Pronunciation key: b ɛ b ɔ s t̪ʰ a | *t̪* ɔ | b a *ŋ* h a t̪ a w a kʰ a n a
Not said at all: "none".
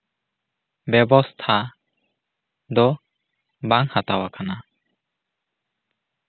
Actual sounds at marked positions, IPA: d̪, ŋ

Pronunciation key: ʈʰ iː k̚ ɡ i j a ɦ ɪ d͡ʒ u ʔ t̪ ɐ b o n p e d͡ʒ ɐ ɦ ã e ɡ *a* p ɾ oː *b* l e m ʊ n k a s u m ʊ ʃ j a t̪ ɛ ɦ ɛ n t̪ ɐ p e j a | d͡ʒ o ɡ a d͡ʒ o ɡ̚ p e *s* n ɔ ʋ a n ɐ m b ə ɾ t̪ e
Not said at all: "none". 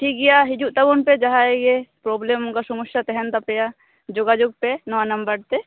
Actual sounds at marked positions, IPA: e, b, none

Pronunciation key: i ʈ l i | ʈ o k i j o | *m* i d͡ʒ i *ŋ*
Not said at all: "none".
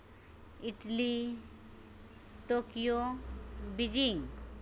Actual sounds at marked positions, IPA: b, ŋ

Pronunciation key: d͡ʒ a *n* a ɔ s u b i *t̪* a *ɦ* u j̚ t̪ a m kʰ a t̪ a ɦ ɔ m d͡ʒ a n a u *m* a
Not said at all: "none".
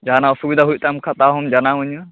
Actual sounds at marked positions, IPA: n, d̪, ɦ, ɲ

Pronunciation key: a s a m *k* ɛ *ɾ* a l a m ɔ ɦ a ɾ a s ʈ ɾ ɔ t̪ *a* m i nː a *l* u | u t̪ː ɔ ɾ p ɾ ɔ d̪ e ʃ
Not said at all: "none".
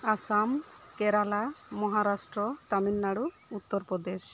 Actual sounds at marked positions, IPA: k, ɾ, a, ɽ

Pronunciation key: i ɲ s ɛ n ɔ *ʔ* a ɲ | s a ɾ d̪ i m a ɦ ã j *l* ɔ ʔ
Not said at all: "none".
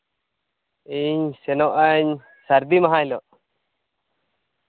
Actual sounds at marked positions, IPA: ʔ, l

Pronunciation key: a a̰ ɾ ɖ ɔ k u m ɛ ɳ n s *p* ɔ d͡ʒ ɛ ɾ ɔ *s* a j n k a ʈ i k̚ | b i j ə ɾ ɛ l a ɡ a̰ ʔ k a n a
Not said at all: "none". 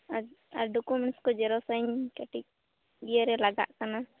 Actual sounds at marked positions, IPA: k, s

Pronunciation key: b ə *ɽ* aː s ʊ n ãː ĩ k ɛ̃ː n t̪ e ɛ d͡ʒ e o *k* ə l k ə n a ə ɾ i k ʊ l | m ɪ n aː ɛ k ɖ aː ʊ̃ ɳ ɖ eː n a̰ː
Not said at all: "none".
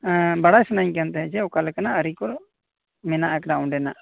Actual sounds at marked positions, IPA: ɽ, k

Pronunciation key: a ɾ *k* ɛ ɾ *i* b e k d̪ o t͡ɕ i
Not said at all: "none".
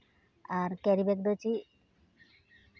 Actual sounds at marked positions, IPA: k, i

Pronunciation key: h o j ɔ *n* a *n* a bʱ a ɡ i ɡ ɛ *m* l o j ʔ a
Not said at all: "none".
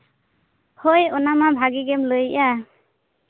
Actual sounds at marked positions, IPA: n, m, m

